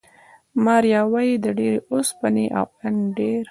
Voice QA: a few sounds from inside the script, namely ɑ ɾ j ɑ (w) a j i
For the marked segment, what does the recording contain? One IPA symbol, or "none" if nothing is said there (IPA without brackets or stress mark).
w